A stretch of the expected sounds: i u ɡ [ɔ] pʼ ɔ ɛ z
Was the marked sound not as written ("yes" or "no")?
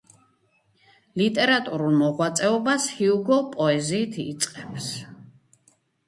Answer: no